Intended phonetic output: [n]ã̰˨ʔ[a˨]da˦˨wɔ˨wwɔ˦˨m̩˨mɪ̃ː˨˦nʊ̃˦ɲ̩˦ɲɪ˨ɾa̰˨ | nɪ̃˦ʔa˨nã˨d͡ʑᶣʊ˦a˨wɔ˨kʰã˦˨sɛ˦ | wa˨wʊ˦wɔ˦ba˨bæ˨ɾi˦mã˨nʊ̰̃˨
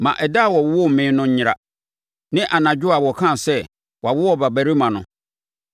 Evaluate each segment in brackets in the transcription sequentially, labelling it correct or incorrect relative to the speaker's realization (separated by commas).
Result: incorrect, incorrect